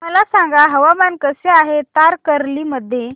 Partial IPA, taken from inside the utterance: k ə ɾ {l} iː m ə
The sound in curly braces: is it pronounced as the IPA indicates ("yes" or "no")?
yes